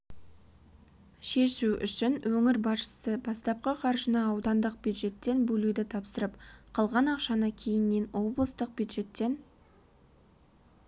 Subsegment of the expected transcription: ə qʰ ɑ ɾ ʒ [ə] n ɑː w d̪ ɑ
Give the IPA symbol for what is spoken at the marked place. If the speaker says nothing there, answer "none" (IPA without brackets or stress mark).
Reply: ə